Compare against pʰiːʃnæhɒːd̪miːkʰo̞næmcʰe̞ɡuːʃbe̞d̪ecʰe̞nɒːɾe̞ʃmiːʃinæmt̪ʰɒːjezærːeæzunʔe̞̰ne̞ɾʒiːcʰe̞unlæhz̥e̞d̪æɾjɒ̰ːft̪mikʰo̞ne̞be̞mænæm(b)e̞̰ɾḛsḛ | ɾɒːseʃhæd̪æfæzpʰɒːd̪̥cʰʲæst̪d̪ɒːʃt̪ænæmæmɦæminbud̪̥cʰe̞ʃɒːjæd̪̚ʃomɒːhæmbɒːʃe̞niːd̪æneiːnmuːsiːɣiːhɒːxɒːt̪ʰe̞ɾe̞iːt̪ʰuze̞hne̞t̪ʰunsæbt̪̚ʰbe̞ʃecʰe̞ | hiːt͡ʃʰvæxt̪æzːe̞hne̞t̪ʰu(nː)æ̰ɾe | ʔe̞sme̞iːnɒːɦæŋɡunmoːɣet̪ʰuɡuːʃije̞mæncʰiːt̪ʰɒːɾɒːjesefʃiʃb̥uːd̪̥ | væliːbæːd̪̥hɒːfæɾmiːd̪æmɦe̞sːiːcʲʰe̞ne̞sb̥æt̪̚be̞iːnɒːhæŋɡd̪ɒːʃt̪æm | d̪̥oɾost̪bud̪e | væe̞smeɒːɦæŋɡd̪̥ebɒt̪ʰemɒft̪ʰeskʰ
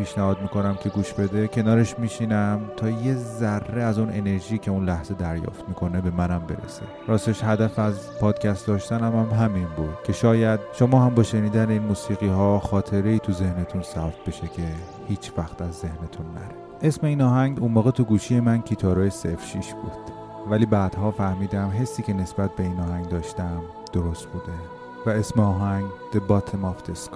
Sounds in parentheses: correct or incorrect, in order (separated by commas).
correct, correct